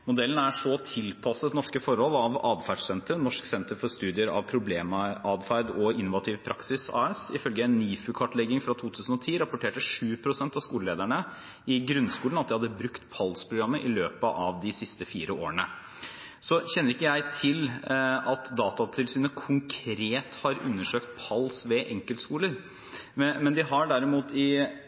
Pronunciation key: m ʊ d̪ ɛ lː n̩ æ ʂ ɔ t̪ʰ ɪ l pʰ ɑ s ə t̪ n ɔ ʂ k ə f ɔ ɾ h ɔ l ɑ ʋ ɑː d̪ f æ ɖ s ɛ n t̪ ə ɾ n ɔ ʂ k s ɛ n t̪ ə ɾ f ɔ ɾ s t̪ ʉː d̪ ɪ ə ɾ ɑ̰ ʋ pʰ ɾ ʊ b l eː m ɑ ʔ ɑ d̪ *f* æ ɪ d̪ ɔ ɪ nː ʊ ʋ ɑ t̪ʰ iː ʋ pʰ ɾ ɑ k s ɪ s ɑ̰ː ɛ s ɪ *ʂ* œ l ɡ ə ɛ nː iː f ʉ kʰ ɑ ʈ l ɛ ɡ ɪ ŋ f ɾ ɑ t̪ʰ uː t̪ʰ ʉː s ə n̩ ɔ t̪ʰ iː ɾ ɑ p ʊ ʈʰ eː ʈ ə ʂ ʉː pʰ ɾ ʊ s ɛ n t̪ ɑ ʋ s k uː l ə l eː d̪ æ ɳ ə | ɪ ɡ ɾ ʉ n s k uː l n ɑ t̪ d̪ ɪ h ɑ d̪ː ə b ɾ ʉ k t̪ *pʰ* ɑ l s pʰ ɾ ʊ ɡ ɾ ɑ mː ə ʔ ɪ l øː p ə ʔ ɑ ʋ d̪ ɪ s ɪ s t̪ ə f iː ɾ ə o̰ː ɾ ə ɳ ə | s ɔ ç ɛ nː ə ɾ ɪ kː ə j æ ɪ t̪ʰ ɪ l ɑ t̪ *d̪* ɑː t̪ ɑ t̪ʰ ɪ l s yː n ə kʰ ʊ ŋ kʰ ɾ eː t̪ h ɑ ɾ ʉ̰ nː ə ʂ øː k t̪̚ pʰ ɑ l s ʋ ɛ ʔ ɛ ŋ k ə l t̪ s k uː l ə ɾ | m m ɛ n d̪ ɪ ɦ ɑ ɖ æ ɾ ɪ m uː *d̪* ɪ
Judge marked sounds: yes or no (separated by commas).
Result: yes, no, yes, yes, no